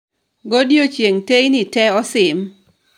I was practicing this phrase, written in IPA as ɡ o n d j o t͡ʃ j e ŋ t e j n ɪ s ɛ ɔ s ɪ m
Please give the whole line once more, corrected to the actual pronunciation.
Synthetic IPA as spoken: ɡ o d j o t͡ʃ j e ŋ t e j n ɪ t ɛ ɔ s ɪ m